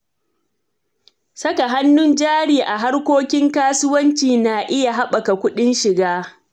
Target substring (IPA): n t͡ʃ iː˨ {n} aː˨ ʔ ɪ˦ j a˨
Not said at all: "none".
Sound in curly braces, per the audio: n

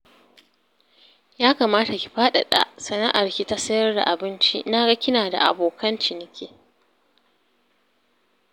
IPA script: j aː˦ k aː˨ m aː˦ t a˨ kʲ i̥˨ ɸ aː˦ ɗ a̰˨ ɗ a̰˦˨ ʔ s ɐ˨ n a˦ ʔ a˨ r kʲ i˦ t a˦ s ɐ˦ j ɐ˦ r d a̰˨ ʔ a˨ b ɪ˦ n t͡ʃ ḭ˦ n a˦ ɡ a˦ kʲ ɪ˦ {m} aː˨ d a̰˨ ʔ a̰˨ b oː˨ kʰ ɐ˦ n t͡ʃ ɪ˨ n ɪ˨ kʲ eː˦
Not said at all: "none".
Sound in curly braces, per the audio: n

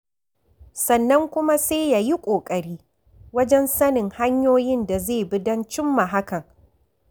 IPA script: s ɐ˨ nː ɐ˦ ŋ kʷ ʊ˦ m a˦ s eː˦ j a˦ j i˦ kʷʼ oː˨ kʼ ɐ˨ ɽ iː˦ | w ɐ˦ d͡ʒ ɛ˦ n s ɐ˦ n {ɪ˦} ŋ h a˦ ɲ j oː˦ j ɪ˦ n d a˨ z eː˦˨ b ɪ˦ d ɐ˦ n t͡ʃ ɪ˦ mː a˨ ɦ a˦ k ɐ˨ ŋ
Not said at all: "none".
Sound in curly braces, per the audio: ɪ˨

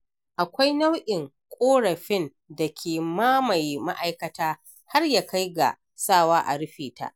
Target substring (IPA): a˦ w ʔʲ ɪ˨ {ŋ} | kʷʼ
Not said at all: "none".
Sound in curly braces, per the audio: ŋ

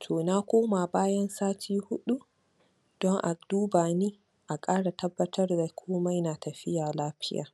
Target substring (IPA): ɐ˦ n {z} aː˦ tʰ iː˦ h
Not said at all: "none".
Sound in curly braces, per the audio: s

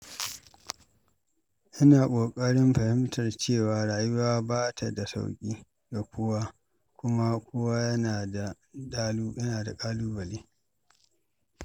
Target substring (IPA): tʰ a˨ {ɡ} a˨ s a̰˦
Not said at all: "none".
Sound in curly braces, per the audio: d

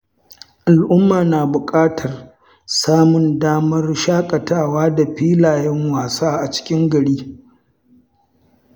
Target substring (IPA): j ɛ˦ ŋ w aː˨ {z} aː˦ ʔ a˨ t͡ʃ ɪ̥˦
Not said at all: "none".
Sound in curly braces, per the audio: s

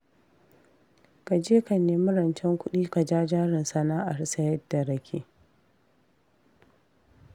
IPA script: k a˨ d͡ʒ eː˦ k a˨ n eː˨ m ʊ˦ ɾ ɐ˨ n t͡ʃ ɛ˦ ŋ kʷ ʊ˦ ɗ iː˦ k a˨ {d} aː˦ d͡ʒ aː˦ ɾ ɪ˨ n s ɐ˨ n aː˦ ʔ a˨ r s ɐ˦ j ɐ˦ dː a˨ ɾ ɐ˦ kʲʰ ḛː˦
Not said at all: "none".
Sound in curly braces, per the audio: d͡ʒ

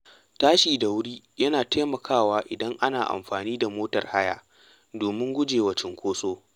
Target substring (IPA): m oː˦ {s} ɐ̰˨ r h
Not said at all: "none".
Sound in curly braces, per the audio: t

